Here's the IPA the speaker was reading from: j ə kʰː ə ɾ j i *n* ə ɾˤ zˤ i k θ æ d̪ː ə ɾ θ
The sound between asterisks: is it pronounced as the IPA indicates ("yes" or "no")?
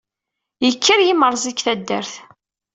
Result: no